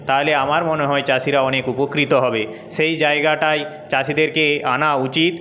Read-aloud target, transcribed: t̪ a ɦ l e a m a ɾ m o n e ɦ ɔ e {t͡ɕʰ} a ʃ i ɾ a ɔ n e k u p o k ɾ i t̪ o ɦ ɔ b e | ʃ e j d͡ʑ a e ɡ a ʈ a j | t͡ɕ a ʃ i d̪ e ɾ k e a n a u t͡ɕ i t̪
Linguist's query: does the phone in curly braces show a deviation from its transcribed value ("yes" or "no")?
yes